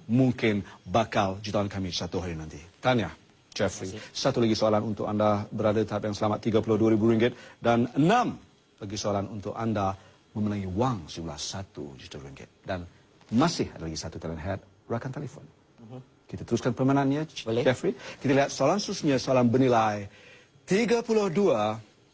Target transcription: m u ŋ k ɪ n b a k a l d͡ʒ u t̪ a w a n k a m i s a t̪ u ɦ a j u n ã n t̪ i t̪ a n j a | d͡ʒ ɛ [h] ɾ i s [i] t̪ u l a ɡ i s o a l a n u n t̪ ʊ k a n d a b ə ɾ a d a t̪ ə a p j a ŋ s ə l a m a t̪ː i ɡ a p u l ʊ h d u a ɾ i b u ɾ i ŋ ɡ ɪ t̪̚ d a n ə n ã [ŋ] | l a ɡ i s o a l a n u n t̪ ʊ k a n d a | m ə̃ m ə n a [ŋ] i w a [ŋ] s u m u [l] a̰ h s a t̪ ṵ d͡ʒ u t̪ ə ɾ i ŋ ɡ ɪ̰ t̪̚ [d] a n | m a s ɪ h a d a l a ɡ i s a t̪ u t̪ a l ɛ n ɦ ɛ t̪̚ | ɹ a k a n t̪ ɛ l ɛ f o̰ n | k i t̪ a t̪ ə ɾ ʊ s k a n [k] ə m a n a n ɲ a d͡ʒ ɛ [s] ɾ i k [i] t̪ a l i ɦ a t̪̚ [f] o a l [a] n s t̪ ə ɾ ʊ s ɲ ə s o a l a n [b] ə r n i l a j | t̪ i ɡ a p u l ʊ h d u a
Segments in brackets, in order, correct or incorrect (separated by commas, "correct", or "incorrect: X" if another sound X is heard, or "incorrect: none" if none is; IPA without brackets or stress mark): incorrect: f, incorrect: a, incorrect: m, correct, correct, correct, correct, incorrect: p, incorrect: f, correct, incorrect: s, correct, correct